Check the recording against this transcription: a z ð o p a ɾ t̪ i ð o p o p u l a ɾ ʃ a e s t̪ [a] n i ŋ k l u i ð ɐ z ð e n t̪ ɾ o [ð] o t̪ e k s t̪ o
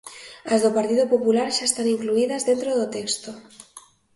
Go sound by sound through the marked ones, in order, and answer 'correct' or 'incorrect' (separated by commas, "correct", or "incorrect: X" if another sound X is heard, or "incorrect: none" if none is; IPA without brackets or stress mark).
correct, correct